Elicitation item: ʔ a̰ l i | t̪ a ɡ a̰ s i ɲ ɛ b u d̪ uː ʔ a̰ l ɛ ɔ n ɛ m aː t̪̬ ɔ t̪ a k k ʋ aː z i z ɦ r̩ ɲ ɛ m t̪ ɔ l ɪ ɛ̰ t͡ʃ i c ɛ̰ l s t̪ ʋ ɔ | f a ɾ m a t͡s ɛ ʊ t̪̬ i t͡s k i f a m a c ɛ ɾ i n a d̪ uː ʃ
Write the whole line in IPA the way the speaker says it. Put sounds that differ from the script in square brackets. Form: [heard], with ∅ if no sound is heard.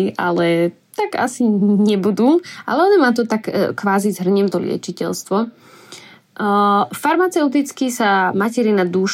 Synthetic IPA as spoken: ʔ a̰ l [ɛ] | t̪ a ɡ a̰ s i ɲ ɛ b u d̪ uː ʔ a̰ l ɛ ɔ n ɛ m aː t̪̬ ɔ t̪ a k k ʋ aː z i z ɦ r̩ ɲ ɛ m t̪ ɔ l ɪ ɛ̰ t͡ʃ i c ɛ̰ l s t̪ ʋ ɔ | f a ɾ m a t͡s ɛ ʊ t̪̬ i t͡s k i [s] a m a c ɛ ɾ i n a d̪ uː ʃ